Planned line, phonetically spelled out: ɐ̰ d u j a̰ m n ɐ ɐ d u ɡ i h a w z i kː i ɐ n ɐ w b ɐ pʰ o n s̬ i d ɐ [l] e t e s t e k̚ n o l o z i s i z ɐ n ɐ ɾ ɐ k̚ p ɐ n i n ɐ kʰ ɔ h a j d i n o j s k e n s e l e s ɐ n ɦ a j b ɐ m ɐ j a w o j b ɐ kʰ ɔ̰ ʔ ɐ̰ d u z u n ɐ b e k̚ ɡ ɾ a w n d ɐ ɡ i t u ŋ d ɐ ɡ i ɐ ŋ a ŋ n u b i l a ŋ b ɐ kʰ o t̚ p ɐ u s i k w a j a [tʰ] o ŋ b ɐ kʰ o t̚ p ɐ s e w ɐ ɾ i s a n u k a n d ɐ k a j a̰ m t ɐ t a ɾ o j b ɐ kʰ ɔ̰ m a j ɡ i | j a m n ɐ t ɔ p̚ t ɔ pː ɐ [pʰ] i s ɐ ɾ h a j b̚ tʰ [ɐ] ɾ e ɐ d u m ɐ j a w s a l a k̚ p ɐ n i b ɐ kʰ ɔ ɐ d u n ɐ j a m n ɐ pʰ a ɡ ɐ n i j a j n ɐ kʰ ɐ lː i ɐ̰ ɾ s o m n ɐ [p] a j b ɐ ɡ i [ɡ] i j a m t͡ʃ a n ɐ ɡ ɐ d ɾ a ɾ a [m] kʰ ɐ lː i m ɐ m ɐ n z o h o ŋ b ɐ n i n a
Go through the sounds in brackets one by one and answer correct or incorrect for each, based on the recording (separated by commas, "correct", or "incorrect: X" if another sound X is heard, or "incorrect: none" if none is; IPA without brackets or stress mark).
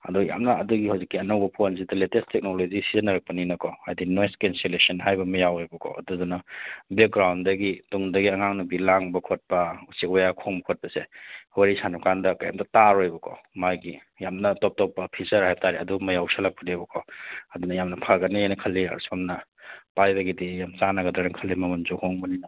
correct, incorrect: kʰ, correct, incorrect: a, correct, incorrect: d, incorrect: ŋ